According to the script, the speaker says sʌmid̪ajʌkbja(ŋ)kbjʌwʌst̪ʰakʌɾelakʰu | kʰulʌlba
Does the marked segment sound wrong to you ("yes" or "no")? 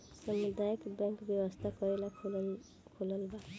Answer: no